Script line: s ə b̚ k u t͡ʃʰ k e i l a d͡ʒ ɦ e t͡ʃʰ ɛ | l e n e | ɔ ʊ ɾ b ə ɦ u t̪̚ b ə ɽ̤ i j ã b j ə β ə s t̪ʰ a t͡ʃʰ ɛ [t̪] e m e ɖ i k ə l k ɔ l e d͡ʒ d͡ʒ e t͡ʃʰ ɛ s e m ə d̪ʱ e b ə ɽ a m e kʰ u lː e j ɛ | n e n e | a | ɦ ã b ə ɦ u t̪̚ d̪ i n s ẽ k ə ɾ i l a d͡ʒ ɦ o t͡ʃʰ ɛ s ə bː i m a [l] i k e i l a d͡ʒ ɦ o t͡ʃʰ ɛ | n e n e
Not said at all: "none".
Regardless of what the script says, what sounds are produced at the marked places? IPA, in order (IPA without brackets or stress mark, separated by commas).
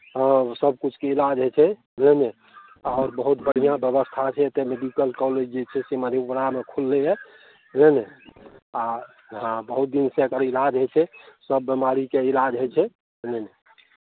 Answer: t̪, ɾ